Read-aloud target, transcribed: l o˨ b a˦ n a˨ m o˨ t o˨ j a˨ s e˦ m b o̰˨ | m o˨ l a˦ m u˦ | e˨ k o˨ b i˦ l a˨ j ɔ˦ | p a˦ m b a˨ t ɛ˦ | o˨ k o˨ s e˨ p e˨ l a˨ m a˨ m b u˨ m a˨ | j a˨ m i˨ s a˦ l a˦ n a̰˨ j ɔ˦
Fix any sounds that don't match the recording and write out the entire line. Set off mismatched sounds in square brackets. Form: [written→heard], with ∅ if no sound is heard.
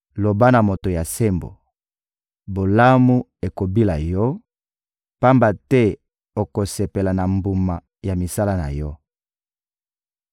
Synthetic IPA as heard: l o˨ b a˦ n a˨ m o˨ t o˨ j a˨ s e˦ m b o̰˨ | [m→b] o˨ l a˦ m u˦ | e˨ k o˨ b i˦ l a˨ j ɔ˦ | p a˦ m b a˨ t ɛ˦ | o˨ k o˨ s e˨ p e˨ l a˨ [m→n] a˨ m b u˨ m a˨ | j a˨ m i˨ s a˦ l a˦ n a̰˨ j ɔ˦